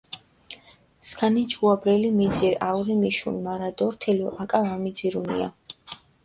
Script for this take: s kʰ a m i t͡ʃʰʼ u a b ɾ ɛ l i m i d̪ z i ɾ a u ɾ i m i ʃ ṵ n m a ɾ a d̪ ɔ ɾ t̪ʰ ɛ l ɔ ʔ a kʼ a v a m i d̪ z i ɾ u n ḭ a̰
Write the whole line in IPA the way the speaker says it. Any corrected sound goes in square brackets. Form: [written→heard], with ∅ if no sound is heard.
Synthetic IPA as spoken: s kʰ a [m→n] i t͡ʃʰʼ u a b ɾ ɛ l i m i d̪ z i ɾ a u ɾ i m i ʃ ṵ n m a ɾ a d̪ ɔ ɾ t̪ʰ ɛ l ɔ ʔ a kʼ a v a m i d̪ z i ɾ u n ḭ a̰

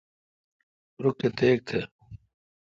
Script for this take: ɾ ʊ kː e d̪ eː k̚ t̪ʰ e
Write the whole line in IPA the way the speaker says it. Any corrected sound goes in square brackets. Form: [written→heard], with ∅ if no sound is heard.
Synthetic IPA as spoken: ɾ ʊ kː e [d̪→t̪] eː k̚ t̪ʰ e

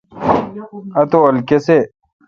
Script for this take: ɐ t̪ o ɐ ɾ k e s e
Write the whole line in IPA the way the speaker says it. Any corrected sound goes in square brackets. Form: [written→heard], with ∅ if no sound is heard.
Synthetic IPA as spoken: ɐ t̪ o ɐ [ɾ→l] k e s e

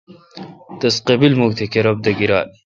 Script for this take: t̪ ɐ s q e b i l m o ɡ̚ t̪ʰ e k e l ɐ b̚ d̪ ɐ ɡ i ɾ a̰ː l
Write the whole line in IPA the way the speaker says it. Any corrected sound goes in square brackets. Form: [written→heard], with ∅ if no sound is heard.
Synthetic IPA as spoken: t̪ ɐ s q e b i l m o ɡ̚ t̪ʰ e k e [l→ɾ] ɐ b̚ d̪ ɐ ɡ i ɾ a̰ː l

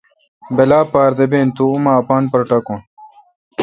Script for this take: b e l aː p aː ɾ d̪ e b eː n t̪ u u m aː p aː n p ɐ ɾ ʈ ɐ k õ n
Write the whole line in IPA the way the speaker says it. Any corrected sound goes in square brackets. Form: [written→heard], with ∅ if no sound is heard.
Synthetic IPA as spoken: b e l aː p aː ɾ d̪ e b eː n t̪ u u m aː p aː n p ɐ ɾ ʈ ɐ k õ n

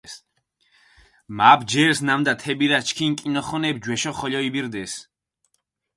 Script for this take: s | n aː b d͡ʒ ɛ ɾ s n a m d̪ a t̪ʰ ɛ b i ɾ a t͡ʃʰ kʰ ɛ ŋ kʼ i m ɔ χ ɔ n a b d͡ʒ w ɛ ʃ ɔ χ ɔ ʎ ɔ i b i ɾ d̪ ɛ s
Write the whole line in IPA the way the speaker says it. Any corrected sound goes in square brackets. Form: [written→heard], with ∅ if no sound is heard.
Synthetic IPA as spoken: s | [n→m] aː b d͡ʒ ɛ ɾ s n a m d̪ a t̪ʰ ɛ b i ɾ a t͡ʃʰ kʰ [ɛ→i] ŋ kʼ i [m→n] ɔ χ ɔ n [a→ɛ] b d͡ʒ w ɛ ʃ ɔ χ ɔ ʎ ɔ i b i ɾ d̪ ɛ s

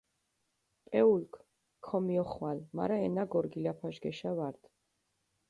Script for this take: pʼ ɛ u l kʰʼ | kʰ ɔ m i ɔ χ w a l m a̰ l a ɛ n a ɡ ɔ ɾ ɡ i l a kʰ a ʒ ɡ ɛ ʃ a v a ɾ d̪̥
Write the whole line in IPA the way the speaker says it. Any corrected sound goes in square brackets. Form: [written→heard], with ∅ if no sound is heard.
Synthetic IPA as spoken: pʼ ɛ u l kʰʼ | kʰ ɔ m i ɔ χ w a l m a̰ [l→ɾ] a ɛ n a ɡ ɔ ɾ ɡ i l a [kʰ→pʰ] a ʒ ɡ ɛ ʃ a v a ɾ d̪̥

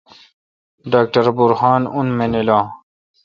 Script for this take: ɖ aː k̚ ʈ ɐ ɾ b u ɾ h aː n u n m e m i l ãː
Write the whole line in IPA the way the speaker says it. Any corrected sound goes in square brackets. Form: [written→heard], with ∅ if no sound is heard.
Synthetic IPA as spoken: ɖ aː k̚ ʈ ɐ ɾ b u ɾ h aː n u n m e [m→n] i l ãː

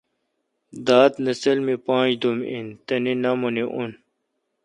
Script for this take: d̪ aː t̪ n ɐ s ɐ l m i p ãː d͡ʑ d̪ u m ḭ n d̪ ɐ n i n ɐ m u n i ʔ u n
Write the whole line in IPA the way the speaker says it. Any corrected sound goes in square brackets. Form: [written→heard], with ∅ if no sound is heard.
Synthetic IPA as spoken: d̪ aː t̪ n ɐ s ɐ l m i p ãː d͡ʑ d̪ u m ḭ n [d̪→t̪] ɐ n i n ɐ m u n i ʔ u n

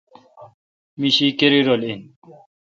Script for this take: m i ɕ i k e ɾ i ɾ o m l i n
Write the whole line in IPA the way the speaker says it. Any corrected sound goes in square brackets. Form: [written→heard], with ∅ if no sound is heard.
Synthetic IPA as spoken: m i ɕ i k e ɾ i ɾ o [m→∅] l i n

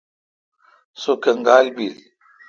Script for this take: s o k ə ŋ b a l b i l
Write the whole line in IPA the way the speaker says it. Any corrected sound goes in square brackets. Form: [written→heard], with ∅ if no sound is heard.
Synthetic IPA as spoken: s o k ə ŋ [b→ɡ] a l b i l

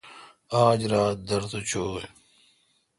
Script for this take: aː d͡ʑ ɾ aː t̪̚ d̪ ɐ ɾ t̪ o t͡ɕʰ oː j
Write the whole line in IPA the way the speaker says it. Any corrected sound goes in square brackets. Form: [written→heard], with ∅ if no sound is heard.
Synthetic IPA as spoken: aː d͡ʑ ɾ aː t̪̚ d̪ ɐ ɾ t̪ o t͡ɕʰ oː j

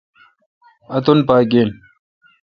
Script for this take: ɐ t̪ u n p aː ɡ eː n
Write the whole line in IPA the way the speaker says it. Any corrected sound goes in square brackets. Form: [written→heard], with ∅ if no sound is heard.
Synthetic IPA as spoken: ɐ t̪ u n p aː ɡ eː n

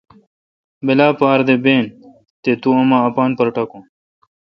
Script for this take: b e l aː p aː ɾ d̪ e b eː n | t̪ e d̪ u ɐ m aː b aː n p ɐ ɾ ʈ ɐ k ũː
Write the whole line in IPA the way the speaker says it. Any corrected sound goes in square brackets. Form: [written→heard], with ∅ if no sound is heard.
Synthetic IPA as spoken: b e l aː p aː ɾ d̪ e b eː n | t̪ e [d̪→t̪] u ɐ m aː [b→p] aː n p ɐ ɾ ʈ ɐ k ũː

